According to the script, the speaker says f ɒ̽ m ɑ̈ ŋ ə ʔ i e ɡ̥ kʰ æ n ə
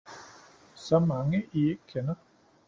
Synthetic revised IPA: s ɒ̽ m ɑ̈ ŋ ə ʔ i e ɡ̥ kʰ e n ɐ